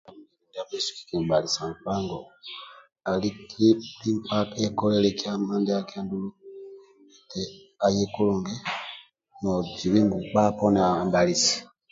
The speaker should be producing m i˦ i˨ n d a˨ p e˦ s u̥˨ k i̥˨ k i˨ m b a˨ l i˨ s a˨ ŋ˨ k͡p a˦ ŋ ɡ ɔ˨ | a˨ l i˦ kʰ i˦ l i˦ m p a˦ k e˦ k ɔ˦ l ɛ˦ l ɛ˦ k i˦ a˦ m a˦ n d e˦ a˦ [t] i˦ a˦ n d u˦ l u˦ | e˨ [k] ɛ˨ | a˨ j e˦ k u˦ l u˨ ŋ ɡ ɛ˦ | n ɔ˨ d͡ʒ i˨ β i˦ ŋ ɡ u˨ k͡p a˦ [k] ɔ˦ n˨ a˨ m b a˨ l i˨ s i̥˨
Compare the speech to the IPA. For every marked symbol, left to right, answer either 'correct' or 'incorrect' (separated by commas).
incorrect, incorrect, incorrect